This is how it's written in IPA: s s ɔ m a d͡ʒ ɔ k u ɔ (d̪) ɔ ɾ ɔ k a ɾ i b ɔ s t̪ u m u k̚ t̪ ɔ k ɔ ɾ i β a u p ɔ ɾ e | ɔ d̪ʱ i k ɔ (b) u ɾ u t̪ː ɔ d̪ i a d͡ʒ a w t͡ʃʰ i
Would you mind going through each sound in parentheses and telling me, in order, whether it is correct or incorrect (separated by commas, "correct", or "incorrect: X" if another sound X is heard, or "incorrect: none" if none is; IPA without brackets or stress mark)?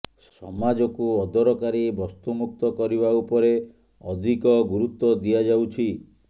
correct, incorrect: ɡ